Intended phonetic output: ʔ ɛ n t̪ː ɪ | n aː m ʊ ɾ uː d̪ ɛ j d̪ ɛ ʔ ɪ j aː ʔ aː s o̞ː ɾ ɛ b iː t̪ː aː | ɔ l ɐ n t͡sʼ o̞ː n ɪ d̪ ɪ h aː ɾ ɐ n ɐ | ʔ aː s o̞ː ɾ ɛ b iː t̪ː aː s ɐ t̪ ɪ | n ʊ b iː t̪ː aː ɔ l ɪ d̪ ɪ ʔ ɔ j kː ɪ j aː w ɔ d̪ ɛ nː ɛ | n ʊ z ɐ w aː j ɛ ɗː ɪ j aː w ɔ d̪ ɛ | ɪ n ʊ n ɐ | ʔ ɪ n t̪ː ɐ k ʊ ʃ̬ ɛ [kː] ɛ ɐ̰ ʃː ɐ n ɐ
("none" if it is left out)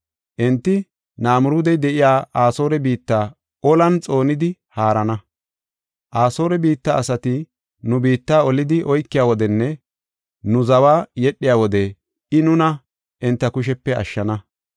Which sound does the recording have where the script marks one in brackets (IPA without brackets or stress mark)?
pː